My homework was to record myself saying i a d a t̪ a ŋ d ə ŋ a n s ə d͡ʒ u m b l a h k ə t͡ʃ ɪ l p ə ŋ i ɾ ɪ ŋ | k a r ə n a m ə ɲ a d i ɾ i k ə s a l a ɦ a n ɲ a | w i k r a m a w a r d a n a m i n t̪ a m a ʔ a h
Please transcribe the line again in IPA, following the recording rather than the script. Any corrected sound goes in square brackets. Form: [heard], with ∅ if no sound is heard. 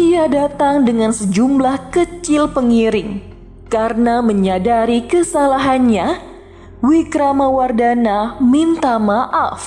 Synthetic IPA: i a d a t̪ a ŋ d ə ŋ a n s ə d͡ʒ u m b l a h k ə t͡ʃ ɪ l p ə ŋ i ɾ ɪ ŋ | k a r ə n a m ə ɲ a d [a] ɾ i k ə s a l a ɦ a n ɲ a | w i k [ɾ] a m a w a r d a n a m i n t̪ a m a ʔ a [f]